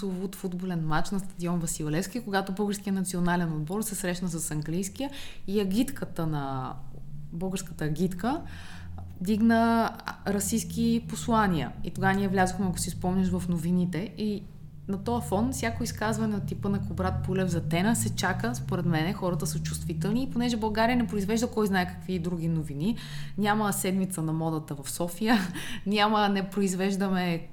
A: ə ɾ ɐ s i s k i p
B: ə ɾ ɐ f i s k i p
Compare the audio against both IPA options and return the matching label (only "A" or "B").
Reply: A